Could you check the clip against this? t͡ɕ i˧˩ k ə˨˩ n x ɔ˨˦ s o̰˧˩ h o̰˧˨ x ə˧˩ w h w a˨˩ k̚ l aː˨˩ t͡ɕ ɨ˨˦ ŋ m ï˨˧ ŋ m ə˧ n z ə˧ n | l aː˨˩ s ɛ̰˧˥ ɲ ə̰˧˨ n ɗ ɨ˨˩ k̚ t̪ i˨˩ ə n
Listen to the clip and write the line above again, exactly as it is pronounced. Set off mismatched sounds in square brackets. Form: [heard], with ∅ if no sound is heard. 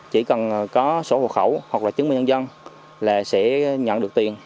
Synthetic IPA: t͡ɕ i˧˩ k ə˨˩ n [k] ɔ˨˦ s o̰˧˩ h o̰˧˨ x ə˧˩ w h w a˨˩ k̚ l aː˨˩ t͡ɕ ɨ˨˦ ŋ m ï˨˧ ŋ [ɲ] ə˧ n z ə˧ n | l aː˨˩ s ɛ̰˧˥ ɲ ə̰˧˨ n ɗ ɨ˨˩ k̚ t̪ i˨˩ ə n